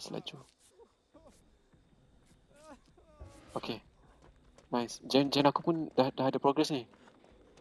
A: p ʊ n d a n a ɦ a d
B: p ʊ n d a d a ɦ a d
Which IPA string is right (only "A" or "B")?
B